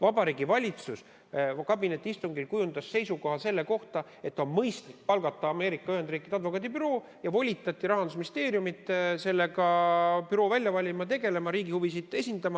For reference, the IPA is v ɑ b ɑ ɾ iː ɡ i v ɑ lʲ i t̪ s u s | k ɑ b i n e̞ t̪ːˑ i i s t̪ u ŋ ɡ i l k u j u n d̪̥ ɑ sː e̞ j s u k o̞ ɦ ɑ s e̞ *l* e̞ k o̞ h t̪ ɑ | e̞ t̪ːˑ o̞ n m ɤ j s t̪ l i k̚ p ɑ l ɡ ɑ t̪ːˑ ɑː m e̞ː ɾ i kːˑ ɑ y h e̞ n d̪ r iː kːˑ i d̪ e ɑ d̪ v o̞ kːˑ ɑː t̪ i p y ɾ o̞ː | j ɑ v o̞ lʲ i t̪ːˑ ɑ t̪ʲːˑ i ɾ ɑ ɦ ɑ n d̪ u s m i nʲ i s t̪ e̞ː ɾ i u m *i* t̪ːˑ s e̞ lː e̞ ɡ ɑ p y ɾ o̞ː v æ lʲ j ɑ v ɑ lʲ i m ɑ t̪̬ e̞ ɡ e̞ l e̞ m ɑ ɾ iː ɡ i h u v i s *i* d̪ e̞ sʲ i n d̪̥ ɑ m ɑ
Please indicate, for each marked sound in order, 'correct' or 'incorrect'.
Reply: incorrect: lː, correct, correct

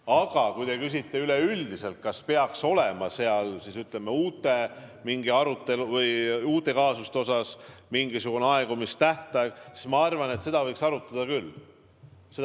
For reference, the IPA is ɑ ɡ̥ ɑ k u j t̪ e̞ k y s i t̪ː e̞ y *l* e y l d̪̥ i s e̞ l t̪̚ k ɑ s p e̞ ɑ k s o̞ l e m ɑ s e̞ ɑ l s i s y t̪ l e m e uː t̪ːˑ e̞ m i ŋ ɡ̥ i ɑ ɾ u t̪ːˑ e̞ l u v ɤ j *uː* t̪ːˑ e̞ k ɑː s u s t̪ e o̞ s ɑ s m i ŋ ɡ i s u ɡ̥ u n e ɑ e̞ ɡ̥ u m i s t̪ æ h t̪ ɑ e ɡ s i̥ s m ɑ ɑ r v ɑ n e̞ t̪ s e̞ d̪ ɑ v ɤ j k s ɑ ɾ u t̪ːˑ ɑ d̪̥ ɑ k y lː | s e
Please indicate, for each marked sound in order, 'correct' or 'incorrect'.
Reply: correct, correct

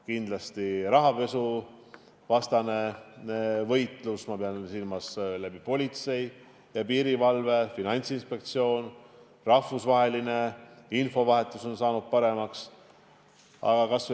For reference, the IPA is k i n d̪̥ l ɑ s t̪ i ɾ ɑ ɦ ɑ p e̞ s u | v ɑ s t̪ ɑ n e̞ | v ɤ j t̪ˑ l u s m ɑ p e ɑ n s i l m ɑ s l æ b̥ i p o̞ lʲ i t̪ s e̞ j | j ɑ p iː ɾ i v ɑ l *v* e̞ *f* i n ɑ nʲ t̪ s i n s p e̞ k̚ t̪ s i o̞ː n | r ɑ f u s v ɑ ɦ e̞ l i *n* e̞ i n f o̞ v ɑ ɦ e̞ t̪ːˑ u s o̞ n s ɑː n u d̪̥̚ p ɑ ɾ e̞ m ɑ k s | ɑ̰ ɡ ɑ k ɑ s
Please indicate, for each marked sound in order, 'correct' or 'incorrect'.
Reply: correct, correct, correct

